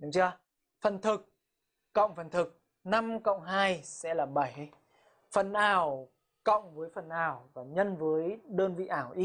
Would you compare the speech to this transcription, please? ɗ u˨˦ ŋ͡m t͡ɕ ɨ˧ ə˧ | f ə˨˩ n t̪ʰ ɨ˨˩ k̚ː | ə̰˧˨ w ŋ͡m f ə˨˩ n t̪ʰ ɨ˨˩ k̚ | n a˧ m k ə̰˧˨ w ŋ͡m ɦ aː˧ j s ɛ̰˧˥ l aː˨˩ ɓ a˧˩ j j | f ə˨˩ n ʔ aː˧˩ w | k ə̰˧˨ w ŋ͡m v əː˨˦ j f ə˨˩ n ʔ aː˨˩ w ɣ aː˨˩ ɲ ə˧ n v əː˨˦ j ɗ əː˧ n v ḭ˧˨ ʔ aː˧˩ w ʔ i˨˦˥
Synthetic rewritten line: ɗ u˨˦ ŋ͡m t͡ɕ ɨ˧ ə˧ | f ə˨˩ n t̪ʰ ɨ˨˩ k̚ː | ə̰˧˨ w ŋ͡m f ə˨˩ n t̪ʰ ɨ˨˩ k̚ | n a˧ m k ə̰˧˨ w ŋ͡m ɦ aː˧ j s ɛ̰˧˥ l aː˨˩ ɓ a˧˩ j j | f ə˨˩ n ʔ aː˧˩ w | k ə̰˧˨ w ŋ͡m v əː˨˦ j f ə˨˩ n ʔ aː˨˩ w v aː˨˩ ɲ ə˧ n v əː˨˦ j ɗ əː˧ n v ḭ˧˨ ʔ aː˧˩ w ʔ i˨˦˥